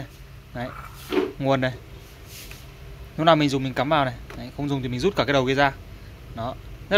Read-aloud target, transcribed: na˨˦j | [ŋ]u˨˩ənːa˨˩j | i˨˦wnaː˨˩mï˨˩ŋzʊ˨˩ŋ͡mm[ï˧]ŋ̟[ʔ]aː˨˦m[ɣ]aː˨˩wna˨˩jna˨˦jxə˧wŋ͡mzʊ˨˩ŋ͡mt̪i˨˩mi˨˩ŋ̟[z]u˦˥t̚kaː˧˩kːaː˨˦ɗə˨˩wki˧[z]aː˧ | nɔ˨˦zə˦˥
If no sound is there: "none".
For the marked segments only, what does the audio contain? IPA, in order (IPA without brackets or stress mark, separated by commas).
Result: ŋ, ï˨˩, k, v, z, z